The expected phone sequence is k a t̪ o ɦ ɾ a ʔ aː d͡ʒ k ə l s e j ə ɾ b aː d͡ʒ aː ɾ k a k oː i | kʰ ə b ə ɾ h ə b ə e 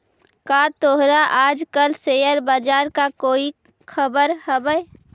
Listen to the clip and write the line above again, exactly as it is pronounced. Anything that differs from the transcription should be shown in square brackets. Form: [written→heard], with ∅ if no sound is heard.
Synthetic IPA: k a t̪ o ɦ ɾ a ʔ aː d͡ʒ k ə l s e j ə ɾ b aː d͡ʒ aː ɾ k a k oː i | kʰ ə b ə ɾ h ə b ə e